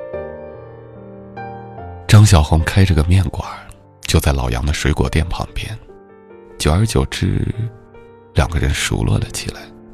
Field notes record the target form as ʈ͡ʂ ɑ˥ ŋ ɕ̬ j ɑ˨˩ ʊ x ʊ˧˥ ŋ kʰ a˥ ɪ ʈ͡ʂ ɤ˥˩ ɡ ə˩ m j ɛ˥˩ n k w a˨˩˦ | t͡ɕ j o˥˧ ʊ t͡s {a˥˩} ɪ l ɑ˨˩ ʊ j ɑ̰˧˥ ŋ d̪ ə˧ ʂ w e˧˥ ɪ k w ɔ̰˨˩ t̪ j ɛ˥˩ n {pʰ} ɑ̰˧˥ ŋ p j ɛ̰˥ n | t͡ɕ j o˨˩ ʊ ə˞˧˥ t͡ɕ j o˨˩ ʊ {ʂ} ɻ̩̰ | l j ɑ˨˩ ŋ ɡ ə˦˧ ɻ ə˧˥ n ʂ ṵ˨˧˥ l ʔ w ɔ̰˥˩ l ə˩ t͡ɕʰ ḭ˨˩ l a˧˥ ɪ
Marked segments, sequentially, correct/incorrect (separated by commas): correct, correct, incorrect